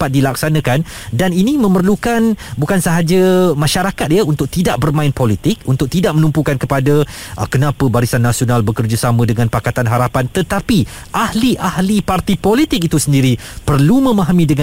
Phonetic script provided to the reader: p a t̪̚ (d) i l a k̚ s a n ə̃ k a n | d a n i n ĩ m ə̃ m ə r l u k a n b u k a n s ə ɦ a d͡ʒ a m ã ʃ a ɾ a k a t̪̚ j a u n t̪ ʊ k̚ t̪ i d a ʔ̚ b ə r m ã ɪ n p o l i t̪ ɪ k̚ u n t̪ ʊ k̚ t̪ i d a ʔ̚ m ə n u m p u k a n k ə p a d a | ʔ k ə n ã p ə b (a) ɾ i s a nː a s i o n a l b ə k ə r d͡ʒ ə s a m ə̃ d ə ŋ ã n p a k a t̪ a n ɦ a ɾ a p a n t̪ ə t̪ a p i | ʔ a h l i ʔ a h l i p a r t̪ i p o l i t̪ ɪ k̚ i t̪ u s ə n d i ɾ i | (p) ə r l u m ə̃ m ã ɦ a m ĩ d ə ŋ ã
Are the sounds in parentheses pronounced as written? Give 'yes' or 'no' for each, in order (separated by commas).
yes, yes, yes